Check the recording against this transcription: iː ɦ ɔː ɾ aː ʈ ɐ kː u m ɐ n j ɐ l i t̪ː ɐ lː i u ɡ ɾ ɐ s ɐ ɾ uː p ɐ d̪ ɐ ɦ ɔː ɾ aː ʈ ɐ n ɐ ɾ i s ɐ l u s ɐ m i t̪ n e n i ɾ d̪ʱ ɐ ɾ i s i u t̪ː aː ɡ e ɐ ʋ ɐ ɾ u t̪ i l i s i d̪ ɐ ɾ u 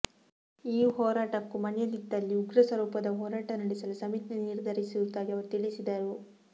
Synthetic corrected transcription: iː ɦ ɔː ɾ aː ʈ ɐ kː u m ɐ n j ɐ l i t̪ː ɐ lː i u ɡ ɾ ɐ s ɐ ɾ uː p ɐ d̪ ɐ ɦ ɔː ɾ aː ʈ ɐ n ɐ ɽ i s ɐ l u s ɐ m i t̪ n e n i ɾ d̪ʱ ɐ ɾ i s i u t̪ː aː ɡ i ɐ ʋ ɐ ɾ u t̪ i ɭ i s i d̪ ɐ ɾ u